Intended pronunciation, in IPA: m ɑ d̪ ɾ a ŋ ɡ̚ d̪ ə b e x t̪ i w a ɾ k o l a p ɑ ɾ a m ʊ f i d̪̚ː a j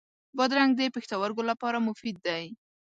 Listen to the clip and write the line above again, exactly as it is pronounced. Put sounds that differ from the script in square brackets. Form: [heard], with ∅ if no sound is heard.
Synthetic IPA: [b] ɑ d̪ ɾ a ŋ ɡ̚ d̪ ə [p] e x t̪ [a] w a ɾ [ɡ] o l a p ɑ ɾ a m ʊ f i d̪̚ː a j